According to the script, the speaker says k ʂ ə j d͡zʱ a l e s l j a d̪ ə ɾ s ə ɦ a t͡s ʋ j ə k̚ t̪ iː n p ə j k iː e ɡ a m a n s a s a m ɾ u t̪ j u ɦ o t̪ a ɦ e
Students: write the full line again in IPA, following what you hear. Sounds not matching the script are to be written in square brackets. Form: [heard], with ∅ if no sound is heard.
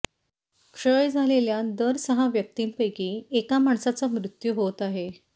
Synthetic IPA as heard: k ʂ ə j d͡zʱ a l e [∅] l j a d̪ ə ɾ s ə ɦ a [∅] ʋ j ə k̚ t̪ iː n p ə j k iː e [k] a m a [ɳ] s a [t͡s] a m ɾ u t̪ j u ɦ o t̪ a ɦ e

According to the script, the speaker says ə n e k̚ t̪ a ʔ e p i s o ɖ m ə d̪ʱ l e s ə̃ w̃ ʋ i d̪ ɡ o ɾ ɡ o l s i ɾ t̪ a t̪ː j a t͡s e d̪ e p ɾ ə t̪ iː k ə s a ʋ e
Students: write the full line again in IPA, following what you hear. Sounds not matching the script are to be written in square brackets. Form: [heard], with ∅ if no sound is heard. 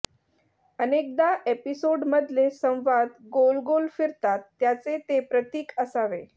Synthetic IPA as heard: ə n e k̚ [d̪] a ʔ e p i s o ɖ m ə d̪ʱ l e s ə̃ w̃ ʋ [a] d̪ ɡ o [l] ɡ o l [f] i ɾ t̪ a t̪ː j a t͡s e [t̪] e p ɾ ə t̪ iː k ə s a ʋ e

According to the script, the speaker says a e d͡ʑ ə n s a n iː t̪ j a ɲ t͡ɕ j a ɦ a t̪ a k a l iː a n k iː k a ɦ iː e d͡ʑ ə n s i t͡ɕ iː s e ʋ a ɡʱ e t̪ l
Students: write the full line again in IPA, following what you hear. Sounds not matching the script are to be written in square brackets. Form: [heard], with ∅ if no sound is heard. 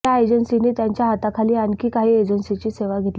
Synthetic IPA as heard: a e d͡ʑ ə n s [i] n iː t̪ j a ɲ t͡ɕ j a ɦ a t̪ a [kʰ] a l iː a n k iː k a ɦ iː e d͡ʑ ə n s i t͡ɕ iː s e ʋ a ɡʱ e t̪ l

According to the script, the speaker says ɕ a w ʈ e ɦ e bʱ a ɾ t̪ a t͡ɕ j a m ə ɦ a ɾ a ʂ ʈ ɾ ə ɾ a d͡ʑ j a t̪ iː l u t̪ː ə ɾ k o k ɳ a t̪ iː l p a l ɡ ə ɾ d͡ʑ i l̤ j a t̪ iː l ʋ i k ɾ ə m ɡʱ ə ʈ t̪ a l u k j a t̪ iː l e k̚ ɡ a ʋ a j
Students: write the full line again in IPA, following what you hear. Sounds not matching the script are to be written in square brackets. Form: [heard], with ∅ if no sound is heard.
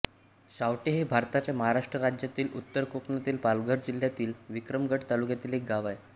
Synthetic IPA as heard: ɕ a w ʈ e ɦ e bʱ a ɾ t̪ a t͡ɕ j a m ə ɦ a ɾ a ʂ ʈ ɾ ə ɾ a d͡ʑ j a t̪ iː l u t̪ː ə ɾ k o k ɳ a t̪ iː l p a l ɡ ə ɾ d͡ʑ i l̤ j a t̪ iː l ʋ i k ɾ ə m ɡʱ ə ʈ t̪ a l u k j a t̪ iː l e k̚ ɡ a ʋ a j

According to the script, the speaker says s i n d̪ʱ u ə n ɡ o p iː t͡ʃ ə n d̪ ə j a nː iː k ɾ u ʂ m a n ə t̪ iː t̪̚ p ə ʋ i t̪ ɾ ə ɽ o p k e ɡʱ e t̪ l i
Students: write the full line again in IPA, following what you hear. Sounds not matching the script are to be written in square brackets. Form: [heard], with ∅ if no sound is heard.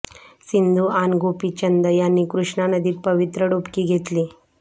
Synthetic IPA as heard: s i n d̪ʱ u [a] n ɡ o p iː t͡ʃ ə n d̪ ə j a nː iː k ɾ u ʂ [ɳ] a n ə [d̪] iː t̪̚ p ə ʋ i t̪ ɾ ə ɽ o p k [i] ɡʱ e t̪ l i

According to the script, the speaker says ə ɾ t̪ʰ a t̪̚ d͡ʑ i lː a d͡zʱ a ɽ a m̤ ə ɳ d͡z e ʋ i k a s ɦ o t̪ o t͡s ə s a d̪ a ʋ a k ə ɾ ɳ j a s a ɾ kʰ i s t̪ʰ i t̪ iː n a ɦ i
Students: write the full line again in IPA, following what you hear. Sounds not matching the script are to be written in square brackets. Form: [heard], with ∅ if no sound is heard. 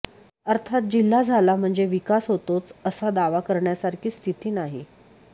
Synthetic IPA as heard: ə ɾ t̪ʰ a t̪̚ d͡ʑ i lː a d͡zʱ a [l] a m̤ ə ɳ d͡z e ʋ i k a s ɦ o t̪ o t͡s ə s a d̪ a ʋ a k ə ɾ ɳ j a s a ɾ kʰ [iː] s t̪ʰ i t̪ iː n a ɦ i

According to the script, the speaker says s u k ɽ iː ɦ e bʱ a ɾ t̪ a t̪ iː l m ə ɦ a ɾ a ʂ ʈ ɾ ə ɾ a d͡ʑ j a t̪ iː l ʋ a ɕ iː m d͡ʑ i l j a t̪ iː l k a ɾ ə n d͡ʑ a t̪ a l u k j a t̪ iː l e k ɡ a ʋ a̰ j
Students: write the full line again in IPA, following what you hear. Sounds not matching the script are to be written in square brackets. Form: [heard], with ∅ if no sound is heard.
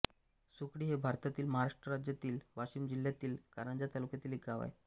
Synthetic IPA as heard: s u k ɽ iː ɦ e bʱ a ɾ t̪ a t̪ iː l m ə ɦ a ɾ a ʂ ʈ ɾ ə ɾ a d͡ʑ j a t̪ iː l ʋ a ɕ iː m d͡ʑ i l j a t̪ iː l k a ɾ ə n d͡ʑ a t̪ a l u k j a t̪ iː l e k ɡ a ʋ a̰ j

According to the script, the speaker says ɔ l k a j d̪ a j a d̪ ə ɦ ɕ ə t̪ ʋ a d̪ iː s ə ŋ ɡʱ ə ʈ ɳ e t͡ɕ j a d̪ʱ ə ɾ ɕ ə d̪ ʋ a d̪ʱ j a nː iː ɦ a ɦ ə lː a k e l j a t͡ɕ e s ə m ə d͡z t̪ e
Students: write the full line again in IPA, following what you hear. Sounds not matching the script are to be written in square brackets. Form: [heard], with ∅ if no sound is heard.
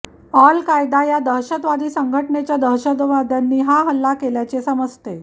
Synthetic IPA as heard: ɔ l k a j d̪ a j a d̪ ə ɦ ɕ ə t̪ ʋ a d̪ iː s ə ŋ ɡʱ ə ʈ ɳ e t͡ɕ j a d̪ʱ ə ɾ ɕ ə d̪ ʋ a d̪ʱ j a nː iː ɦ a ɦ ə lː a k e l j a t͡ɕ e s ə m ə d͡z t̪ e

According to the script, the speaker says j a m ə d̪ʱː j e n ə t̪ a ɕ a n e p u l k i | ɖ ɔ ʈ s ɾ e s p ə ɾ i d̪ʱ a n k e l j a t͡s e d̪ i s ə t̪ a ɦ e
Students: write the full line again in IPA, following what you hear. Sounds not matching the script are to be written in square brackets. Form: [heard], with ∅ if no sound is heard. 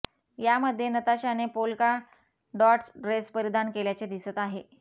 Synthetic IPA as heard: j a m ə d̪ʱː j e n ə t̪ a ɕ a n e p [o] l k [a] | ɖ ɔ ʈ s ɾ e s p ə ɾ i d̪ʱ a n k e l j a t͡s e d̪ i s ə t̪ a ɦ e

